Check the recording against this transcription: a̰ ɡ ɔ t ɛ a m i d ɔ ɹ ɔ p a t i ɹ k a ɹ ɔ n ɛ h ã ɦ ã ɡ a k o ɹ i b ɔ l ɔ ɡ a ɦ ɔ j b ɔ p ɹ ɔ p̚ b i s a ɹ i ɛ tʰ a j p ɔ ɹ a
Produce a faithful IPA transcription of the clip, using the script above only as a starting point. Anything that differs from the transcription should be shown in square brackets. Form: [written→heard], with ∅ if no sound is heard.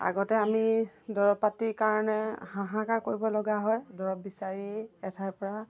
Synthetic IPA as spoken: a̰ ɡ ɔ t ɛ a m i d ɔ ɹ ɔ p a t i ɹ k a ɹ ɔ n ɛ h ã ɦ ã [ɡ→k] a k o ɹ i b ɔ l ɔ ɡ a ɦ ɔ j [b→d] ɔ [p→∅] ɹ ɔ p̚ b i s a ɹ i ɛ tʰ a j p ɔ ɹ a